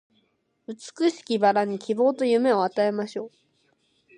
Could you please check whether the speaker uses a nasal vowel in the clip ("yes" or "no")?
no